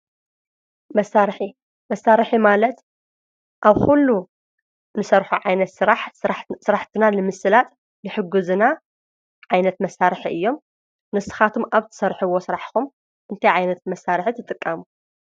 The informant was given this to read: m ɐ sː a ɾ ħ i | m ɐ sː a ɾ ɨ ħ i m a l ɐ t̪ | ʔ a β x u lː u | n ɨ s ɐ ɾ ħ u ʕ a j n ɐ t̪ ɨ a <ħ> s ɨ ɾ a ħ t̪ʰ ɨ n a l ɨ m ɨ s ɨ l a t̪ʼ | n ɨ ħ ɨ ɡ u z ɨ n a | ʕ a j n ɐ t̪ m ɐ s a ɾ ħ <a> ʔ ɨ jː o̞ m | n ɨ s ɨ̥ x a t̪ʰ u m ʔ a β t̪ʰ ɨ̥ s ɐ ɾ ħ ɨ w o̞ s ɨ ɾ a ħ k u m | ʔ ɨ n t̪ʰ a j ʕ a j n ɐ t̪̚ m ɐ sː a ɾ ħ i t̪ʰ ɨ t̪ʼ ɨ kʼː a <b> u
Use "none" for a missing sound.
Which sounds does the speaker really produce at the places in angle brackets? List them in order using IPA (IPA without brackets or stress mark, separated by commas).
ħ, i, m